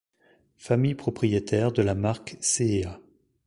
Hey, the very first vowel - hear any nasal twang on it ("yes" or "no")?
no